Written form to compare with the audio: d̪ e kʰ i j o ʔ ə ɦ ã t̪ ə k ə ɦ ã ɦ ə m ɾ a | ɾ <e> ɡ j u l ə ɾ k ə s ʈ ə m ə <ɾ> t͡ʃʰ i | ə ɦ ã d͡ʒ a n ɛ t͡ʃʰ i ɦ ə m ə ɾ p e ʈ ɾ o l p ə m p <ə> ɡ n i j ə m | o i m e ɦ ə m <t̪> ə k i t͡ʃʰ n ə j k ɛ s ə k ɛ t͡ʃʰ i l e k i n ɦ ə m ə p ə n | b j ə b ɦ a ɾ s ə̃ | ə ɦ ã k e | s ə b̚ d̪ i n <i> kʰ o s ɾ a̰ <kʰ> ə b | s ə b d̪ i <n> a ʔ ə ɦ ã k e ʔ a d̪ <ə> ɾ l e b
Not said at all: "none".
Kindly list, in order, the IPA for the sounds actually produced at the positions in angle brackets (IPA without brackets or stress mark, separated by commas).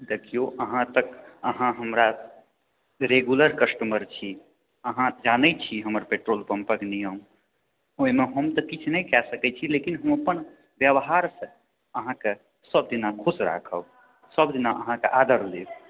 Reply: e, ɾ, ə, t̪, a, kʰ, n, ə